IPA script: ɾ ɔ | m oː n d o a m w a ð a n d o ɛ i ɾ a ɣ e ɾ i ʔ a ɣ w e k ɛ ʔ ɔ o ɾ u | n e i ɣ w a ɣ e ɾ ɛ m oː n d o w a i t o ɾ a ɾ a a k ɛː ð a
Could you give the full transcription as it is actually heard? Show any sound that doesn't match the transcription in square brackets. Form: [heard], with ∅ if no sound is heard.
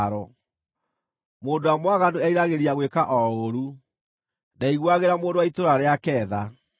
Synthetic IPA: ɾ ɔ | m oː n d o a m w a [ɣ] a n d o ɛ i ɾ a ɣ e ɾ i [∅] a ɣ w e k [a] ʔ ɔ o ɾ u | n [a] i ɣ w a ɣ e ɾ [a] m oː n d o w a i t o ɾ a ɾ [e] a k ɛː ð a